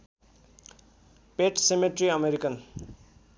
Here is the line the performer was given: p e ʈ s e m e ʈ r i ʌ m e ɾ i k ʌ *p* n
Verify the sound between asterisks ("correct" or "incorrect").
incorrect